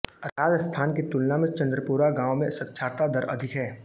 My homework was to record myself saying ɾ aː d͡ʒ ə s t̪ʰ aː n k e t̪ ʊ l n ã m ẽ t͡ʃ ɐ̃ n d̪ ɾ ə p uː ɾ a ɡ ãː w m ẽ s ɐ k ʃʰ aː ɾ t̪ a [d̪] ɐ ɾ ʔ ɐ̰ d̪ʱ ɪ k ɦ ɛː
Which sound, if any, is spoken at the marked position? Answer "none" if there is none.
d̪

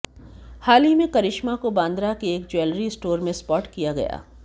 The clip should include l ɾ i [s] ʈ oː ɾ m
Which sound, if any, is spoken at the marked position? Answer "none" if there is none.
s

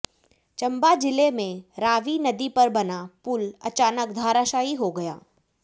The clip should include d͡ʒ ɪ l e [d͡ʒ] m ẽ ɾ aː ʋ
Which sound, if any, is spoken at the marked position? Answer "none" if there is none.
none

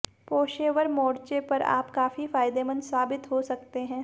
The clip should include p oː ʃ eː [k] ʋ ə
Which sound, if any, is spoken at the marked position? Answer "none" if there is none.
none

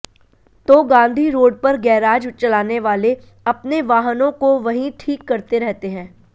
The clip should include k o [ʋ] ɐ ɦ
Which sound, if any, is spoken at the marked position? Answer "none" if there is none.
ʋ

